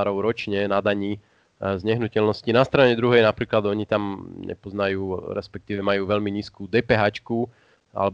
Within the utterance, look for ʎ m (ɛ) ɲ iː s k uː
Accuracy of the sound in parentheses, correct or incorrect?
incorrect